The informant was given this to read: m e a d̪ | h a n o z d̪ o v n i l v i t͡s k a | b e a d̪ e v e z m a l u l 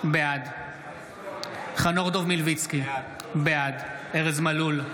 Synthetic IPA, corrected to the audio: b e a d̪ | χ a n o ʁ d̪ o v m i l v i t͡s k i | b e a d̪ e ʁ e z m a l u l